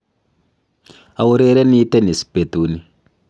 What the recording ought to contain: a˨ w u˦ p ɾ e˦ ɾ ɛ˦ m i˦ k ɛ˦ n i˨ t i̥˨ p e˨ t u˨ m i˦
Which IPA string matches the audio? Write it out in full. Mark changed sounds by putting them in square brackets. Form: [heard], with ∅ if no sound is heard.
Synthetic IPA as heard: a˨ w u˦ [∅] ɾ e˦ ɾ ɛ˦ [n] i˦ [t] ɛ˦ n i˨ [s] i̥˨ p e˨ t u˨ [n] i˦

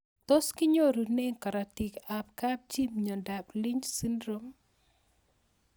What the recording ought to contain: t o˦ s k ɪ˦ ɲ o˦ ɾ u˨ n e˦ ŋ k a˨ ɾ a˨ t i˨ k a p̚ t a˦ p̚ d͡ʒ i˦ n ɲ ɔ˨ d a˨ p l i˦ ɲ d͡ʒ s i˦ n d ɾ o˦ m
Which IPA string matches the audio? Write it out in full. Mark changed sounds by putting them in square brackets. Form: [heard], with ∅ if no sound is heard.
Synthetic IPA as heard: t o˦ s k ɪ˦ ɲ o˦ ɾ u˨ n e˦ ŋ k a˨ ɾ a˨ t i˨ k a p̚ [k] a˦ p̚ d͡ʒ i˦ [m] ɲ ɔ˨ d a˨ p l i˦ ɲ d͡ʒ s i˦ n d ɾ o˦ m

